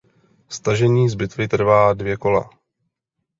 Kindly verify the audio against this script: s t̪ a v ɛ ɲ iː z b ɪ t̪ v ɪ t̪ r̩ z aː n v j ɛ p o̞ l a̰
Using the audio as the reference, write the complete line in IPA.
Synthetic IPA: s t̪ a ʒ ɛ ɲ iː z b ɪ t̪ v ɪ t̪ r̩ v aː d v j ɛ k o̞ l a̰